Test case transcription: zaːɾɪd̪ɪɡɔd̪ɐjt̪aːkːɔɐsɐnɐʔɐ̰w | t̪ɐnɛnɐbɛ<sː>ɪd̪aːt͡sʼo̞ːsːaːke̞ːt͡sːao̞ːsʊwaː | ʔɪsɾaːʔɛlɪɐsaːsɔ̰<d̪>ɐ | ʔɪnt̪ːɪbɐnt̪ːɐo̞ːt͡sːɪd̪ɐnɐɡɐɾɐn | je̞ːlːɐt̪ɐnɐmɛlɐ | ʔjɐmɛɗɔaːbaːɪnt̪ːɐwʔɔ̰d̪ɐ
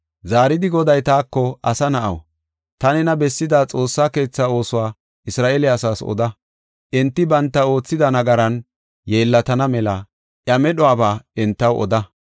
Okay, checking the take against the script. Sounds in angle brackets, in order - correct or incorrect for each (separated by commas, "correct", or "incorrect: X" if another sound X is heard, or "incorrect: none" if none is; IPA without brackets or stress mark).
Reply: correct, correct